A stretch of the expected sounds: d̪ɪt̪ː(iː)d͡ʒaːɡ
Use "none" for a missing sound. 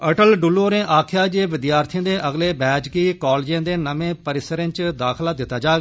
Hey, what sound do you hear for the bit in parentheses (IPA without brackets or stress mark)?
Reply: aː